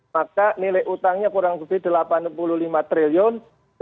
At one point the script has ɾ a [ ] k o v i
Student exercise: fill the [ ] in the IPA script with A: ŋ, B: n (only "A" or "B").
A